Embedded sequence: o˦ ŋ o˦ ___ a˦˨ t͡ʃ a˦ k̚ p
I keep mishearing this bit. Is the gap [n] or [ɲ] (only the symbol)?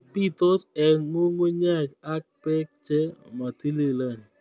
ɲ